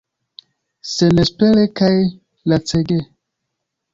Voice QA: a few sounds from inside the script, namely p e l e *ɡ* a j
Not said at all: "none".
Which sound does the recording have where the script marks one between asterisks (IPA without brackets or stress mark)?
k